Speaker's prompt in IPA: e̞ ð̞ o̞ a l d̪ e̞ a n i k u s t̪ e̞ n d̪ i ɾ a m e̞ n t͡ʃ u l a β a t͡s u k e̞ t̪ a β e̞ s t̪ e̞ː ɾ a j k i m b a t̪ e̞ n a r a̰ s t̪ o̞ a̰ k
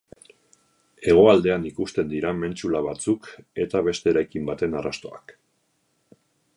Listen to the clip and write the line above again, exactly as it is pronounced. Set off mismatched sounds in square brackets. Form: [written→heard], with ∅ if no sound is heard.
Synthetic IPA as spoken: e̞ [ð̞→ɣ̞] o̞ a l d̪ e̞ a n i k u s t̪ e̞ n d̪ i ɾ a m e̞ n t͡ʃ u l a β a t͡s u k e̞ t̪ a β e̞ s t̪ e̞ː ɾ a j k i m b a t̪ e̞ n a r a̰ s t̪ o̞ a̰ k